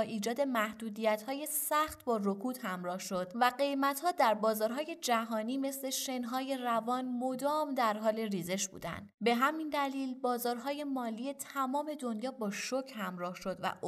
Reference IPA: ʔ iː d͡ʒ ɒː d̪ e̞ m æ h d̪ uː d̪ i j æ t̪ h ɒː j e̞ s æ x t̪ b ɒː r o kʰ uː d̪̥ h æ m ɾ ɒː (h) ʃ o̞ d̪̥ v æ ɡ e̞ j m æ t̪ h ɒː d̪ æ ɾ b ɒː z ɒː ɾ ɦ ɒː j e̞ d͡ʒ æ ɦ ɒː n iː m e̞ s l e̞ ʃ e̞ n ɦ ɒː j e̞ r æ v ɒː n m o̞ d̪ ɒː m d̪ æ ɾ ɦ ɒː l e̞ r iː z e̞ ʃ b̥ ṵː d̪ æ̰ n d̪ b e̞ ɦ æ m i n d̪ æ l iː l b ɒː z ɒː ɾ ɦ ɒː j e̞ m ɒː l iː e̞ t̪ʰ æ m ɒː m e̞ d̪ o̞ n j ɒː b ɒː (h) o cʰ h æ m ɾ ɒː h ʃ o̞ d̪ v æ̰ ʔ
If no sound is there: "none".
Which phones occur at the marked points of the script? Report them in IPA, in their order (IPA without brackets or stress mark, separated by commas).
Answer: h, ʃ